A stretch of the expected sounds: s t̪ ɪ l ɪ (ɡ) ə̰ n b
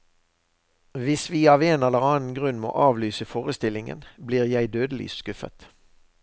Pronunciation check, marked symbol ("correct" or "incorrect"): incorrect